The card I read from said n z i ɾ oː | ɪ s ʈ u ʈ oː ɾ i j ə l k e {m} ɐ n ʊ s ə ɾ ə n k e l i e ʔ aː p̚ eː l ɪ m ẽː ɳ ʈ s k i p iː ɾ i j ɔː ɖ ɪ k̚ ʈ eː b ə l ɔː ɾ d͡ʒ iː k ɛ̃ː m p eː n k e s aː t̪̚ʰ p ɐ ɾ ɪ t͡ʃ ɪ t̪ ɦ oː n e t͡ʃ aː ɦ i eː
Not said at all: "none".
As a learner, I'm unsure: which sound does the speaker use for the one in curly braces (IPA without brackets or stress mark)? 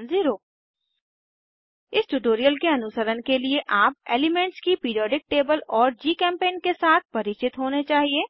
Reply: none